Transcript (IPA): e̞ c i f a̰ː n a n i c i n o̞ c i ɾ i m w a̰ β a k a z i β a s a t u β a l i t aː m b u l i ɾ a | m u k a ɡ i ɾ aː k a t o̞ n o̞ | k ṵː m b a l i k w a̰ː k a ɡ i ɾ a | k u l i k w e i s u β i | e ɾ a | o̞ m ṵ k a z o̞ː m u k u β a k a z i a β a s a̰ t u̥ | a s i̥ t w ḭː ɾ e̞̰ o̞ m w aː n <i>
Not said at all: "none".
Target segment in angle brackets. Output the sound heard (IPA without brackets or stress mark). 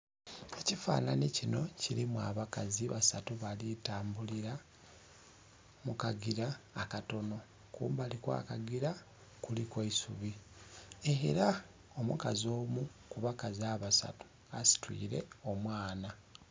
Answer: a